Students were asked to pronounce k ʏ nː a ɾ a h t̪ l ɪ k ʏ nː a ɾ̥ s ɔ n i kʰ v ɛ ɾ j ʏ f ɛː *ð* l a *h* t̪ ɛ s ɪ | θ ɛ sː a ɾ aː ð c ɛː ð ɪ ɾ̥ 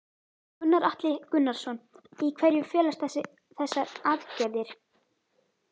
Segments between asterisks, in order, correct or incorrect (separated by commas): incorrect, incorrect